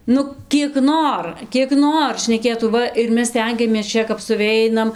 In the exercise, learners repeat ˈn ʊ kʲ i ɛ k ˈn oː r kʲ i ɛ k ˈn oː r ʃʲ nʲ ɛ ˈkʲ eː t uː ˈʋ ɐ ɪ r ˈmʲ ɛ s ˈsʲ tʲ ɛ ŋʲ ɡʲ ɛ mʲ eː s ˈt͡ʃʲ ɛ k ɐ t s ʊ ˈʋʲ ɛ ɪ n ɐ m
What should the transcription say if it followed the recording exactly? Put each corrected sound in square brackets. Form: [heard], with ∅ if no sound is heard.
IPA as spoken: ˈn ʊ kʲ i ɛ k ˈn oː r kʲ i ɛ k ˈn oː r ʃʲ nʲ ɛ ˈkʲ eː t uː ˈʋ ɐ ɪ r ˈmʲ ɛ s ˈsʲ tʲ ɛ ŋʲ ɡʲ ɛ mʲ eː s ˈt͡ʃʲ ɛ k ɐ [p] s ʊ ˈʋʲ ɛ ɪ n ɐ m

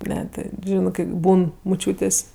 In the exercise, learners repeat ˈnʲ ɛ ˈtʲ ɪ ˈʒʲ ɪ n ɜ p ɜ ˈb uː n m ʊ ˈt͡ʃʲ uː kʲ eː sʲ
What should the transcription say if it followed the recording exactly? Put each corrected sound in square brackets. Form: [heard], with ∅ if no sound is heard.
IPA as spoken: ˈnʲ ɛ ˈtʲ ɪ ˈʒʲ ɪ n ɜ [k] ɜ ˈb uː n m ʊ ˈt͡ʃʲ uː [tʲ] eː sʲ

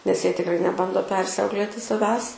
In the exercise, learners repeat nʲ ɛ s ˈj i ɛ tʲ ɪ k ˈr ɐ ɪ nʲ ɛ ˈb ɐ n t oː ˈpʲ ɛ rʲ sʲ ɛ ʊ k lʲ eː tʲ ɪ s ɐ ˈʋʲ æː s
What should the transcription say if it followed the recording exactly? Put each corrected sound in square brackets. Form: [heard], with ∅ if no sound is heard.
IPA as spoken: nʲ ɛ s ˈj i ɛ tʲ ɪ k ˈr ɐ ɪ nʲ ɛ ˈb ɐ n [d] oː ˈpʲ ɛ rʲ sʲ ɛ ʊ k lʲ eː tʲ ɪ s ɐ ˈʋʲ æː s

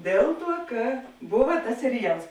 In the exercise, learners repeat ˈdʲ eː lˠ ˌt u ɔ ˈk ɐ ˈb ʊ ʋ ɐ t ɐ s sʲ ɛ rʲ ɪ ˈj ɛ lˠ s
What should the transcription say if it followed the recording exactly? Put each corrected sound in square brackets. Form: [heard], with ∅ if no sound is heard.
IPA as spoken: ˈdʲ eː lˠ ˌt u ɔ ˈk ɐ ˈb ʊ ʋ ɐ t ɐ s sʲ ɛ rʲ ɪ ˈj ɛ lˠ s

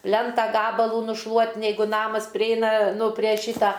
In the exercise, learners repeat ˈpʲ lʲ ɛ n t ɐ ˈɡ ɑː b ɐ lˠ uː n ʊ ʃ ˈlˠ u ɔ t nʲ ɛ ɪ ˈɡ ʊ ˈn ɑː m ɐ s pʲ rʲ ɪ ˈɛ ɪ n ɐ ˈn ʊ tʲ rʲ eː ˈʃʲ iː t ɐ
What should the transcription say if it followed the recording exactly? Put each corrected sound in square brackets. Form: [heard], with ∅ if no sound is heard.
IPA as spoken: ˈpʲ lʲ ɛ n t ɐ ˈɡ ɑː b ɐ lˠ uː n ʊ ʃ ˈlˠ u ɔ t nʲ ɛ ɪ ˈɡ ʊ ˈn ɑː m ɐ s pʲ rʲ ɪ ˈɛ ɪ n ɐ ˈn ʊ [pʲ] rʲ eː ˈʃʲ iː t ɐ

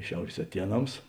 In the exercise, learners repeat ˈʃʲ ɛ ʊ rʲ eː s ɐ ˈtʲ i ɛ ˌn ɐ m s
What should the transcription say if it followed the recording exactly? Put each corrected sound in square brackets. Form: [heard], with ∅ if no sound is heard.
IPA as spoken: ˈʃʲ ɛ ʊ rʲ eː s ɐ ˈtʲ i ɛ ˌn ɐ m s

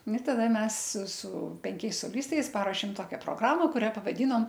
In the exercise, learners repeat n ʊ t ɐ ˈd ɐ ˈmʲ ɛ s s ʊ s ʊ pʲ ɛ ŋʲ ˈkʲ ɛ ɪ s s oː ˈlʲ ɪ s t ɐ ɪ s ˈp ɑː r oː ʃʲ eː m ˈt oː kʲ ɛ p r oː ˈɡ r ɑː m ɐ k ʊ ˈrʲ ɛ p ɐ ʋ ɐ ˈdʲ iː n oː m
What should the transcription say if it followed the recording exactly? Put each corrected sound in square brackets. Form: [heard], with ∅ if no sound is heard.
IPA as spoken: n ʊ t ɐ ˈd ɐ ˈmʲ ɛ s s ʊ s ʊ pʲ ɛ ŋʲ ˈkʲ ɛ ɪ s s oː ˈlʲ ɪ s t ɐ ɪ s ˈp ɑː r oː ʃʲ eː m ˈt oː kʲ ɛ p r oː ˈɡ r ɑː m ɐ k ʊ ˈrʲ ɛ p ɐ ʋ ɐ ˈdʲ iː n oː m

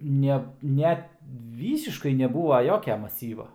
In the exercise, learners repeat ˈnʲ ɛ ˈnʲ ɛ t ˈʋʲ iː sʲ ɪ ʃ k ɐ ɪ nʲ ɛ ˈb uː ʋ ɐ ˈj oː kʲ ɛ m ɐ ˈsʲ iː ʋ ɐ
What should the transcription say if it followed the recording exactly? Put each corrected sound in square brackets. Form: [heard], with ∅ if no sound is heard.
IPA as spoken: ˈnʲ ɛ ˈnʲ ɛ t ˈʋʲ iː sʲ ɪ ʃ k ɐ ɪ nʲ ɛ ˈb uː ʋ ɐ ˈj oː kʲ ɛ m ɐ ˈsʲ iː ʋ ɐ

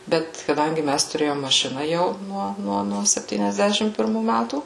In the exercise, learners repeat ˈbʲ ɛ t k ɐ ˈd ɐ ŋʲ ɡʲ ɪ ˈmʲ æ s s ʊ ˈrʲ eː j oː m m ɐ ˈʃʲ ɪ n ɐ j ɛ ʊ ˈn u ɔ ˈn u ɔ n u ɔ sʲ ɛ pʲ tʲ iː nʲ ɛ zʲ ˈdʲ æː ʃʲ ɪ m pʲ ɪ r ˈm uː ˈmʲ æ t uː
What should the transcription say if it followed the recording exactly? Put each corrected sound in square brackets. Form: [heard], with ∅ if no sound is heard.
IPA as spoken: ˈbʲ ɛ t k ɐ ˈd ɐ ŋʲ ɡʲ ɪ ˈmʲ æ s [t] ʊ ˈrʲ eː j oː m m ɐ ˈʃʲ ɪ n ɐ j ɛ ʊ ˈn u ɔ ˈn u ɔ n u ɔ sʲ ɛ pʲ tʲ iː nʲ ɛ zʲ ˈdʲ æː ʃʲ ɪ m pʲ ɪ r ˈm uː ˈmʲ æ t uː

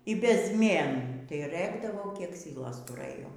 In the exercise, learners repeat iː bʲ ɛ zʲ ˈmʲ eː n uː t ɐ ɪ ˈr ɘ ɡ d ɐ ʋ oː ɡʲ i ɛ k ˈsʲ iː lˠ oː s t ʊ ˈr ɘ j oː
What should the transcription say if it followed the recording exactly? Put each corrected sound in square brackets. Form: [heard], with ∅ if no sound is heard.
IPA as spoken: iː bʲ ɛ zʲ ˈmʲ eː n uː t ɐ ɪ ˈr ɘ ɡ d ɐ ʋ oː [kʲ] i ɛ k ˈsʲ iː lˠ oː s t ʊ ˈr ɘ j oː

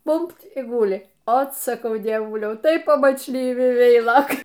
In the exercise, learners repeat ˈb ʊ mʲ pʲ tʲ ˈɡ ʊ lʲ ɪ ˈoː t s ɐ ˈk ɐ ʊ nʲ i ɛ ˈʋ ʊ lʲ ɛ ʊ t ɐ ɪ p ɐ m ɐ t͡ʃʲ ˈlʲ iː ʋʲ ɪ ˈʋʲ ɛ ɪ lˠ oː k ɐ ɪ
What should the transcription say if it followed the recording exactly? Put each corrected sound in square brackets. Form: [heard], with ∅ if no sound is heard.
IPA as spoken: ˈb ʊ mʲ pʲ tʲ ˈɡ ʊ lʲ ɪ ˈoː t s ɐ ˈk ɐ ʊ [dʲ] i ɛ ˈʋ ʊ lʲ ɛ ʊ t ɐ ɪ p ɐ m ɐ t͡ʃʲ ˈlʲ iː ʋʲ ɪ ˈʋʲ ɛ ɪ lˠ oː k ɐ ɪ

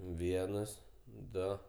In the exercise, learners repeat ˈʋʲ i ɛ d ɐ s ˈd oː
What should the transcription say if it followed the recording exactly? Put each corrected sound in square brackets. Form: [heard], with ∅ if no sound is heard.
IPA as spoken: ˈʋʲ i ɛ [n] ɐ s ˈd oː

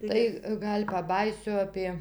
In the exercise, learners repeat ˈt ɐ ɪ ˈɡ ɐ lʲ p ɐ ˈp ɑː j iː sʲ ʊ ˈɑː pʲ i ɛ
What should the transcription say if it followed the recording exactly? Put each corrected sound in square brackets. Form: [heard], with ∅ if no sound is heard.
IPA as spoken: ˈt ɐ ɪ ˈɡ ɐ lʲ p ɐ [ˈb] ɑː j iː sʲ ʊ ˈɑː pʲ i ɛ

